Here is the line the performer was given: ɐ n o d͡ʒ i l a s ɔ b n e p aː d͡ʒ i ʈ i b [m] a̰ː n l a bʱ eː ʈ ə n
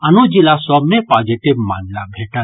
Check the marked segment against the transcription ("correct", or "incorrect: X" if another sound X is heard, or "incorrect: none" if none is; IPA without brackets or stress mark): correct